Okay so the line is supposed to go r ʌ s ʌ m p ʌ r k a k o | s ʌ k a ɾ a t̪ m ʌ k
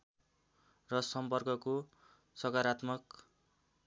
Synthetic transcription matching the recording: r ʌ s ʌ m p ʌ r k ʌ k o | s ʌ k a ɾ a t̪ m ʌ k